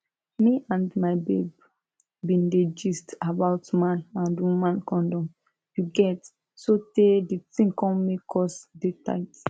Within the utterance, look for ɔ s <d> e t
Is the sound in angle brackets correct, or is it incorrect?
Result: correct